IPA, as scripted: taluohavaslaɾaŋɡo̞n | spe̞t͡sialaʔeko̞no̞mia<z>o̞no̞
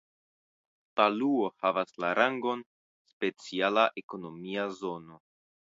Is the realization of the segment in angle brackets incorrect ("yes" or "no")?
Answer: no